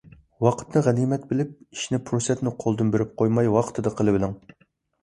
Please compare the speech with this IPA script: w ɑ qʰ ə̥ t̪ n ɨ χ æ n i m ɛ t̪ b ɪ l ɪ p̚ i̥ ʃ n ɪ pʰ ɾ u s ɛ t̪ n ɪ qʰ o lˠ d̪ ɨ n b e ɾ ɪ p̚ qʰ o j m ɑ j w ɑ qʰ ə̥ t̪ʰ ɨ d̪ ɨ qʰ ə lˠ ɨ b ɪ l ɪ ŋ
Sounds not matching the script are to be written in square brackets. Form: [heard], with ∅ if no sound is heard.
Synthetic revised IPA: w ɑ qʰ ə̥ t̪ n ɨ [ʁ] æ n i m ɛ t̪ b ɪ l ɪ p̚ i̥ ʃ n ɪ pʰ ɾ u s ɛ t̪ n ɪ qʰ o lˠ d̪ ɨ n b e ɾ ɪ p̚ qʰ o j m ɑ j w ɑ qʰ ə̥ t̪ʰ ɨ d̪ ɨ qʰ ə lˠ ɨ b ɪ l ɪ ŋ